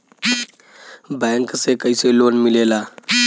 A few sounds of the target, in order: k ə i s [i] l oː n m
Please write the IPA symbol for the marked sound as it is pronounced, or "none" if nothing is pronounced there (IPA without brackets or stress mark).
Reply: e